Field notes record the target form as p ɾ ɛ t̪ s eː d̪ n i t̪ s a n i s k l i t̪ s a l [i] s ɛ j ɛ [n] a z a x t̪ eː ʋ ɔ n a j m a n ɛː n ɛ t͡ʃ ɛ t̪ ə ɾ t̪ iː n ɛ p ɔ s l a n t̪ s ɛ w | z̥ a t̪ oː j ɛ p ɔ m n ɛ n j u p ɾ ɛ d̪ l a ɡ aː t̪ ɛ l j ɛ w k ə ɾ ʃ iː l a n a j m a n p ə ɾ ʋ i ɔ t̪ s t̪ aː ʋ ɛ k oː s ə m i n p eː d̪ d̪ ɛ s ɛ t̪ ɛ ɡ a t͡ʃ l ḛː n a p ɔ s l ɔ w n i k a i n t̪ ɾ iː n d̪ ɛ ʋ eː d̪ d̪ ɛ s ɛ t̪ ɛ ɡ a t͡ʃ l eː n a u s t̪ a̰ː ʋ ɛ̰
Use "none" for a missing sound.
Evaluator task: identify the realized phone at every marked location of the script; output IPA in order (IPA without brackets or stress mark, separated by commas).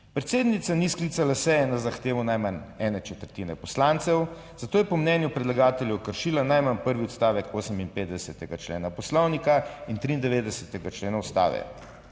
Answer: a, n